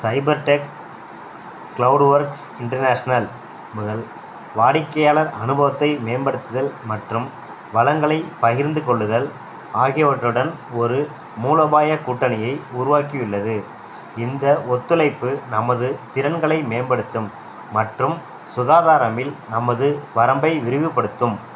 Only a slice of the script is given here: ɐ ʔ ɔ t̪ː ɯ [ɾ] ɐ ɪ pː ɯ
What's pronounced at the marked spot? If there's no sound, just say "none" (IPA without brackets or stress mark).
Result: l